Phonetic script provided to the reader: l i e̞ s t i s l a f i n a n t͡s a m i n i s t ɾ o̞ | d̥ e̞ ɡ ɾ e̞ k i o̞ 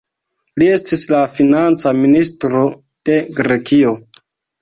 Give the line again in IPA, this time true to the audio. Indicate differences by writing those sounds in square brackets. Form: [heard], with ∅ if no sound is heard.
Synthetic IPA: l i e̞ s t i s l a f i n a n t͡s a m i n i s t ɾ o̞ | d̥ e̞ ɡ ɾ e̞ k i o̞